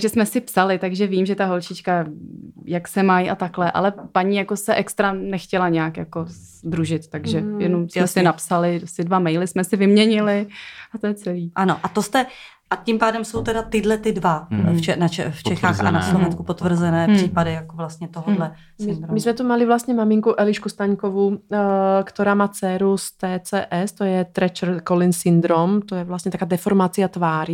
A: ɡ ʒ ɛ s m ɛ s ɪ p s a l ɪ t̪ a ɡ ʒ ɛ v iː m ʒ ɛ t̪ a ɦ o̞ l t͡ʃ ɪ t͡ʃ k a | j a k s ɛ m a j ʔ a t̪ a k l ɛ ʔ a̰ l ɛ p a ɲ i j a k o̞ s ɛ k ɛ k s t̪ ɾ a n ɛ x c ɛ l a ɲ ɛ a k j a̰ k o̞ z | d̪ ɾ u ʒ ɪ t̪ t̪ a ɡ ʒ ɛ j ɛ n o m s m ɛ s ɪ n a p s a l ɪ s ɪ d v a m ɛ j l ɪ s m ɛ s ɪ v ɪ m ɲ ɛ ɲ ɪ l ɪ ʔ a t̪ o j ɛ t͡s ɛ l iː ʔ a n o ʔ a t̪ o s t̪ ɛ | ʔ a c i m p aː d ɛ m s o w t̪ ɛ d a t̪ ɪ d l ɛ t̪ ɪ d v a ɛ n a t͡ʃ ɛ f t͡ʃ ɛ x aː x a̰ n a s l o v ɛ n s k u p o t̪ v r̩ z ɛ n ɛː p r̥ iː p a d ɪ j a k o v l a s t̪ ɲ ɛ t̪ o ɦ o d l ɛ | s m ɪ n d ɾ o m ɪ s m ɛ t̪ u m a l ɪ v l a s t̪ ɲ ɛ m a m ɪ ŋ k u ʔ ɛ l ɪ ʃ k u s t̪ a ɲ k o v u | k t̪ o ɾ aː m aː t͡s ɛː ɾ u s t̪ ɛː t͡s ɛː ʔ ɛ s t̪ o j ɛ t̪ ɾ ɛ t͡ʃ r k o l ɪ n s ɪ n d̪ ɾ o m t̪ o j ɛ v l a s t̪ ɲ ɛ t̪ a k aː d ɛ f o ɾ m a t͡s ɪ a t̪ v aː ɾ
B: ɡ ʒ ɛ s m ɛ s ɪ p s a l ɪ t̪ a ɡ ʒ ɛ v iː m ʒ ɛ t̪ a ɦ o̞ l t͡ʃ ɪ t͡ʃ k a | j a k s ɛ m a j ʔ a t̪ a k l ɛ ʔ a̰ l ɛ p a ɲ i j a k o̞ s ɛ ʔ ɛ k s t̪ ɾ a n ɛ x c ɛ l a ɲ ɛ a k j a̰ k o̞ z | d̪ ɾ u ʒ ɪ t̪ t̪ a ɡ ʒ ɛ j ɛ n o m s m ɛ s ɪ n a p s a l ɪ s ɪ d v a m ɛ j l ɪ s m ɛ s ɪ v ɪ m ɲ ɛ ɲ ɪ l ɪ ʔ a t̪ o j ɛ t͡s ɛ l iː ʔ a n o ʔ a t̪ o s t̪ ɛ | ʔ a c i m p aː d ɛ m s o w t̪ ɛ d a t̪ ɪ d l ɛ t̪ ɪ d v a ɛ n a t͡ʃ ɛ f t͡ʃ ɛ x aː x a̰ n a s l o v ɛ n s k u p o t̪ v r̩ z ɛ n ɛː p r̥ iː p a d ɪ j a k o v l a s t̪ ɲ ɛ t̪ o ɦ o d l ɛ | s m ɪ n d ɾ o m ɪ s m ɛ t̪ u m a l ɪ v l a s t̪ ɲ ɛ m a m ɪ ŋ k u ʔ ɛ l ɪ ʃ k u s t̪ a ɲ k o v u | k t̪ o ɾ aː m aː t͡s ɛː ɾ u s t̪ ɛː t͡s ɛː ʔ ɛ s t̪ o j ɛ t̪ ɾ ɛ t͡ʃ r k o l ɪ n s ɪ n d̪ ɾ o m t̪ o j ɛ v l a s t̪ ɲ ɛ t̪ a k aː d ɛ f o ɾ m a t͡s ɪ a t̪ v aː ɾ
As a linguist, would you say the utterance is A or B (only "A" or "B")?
B